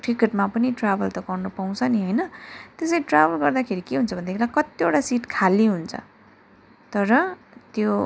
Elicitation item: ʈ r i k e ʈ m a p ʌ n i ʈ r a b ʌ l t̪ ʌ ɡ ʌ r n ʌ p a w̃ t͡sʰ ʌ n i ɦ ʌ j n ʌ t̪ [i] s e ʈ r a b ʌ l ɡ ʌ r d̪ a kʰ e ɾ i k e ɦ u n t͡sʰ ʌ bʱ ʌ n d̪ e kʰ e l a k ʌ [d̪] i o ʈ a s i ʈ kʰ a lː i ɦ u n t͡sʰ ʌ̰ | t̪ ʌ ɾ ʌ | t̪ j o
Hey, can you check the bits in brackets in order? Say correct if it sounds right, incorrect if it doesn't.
incorrect, incorrect

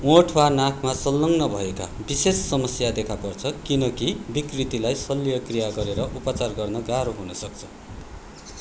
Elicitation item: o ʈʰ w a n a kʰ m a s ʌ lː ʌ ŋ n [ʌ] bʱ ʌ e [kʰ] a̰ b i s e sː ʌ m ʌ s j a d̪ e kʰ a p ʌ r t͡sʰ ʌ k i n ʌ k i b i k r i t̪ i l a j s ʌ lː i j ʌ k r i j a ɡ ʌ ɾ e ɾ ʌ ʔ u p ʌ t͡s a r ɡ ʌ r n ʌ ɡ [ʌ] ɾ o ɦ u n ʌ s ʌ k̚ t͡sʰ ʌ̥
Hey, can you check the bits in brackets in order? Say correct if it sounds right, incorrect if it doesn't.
correct, incorrect, incorrect

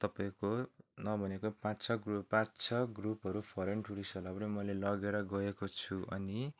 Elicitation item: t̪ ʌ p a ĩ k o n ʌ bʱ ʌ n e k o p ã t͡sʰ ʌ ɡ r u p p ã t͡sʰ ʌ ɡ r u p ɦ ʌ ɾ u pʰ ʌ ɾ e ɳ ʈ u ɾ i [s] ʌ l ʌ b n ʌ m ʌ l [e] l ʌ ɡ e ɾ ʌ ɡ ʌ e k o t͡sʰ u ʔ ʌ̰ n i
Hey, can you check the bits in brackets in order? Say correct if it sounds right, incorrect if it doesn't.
correct, correct

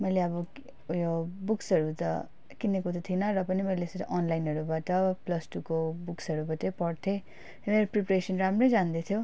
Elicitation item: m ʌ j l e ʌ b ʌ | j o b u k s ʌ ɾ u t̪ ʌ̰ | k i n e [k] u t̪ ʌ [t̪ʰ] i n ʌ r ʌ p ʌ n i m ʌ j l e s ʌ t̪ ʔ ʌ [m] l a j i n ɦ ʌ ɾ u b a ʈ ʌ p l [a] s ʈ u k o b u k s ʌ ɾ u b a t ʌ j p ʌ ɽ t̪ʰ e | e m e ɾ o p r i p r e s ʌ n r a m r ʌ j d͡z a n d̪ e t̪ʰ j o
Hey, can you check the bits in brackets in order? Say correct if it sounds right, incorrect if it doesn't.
correct, correct, incorrect, incorrect

